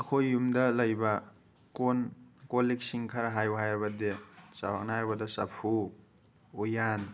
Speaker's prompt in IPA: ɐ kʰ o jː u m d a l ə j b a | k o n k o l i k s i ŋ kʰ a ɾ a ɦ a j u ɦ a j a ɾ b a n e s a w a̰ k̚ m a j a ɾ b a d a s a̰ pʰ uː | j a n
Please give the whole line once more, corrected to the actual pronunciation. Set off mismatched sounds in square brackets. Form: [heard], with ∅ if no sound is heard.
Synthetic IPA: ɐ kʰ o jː u m d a l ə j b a | k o n k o l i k s i ŋ kʰ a ɾ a ɦ a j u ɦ a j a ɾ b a [d] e s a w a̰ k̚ [n] a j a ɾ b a d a s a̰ pʰ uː | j a n

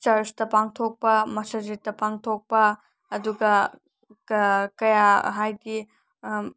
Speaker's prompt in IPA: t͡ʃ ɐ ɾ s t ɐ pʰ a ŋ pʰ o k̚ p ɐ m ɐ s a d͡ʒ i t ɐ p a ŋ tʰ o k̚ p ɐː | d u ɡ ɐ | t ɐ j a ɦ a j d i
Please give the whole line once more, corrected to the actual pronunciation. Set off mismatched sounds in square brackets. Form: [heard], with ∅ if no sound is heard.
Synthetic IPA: t͡ʃ ɐ ɾ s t ɐ [p] a ŋ [tʰ] o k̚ p ɐ m ɐ s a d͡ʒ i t ɐ p a ŋ tʰ o k̚ p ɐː | d u ɡ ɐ | [k] ɐ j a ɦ a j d i

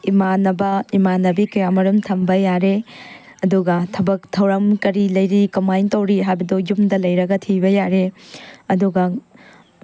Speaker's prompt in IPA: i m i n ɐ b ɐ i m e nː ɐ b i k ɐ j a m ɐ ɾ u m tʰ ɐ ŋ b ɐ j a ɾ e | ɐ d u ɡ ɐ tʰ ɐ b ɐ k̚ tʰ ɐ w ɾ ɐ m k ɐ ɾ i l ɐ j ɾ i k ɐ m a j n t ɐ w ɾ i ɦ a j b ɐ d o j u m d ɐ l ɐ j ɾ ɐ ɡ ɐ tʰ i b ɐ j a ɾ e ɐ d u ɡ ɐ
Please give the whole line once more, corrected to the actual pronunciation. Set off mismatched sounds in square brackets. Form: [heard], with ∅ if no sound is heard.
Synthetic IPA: i m [a] n ɐ b ɐ i m [a] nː ɐ b i k ɐ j a m ɐ ɾ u m tʰ ɐ [m] b ɐ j a ɾ e | ɐ d u ɡ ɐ tʰ ɐ b ɐ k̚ tʰ ɐ w ɾ ɐ m k ɐ ɾ i l ɐ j ɾ i k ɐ m a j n t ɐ w ɾ i ɦ a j b ɐ d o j u m d ɐ l ɐ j ɾ ɐ ɡ ɐ tʰ i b ɐ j a ɾ e ɐ d u ɡ ɐ

